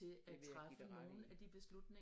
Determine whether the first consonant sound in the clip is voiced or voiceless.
voiceless